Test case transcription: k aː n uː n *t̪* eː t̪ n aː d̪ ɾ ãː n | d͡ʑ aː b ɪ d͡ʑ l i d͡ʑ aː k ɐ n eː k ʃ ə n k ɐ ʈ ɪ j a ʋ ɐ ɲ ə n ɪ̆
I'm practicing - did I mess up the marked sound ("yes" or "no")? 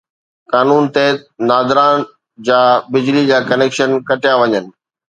no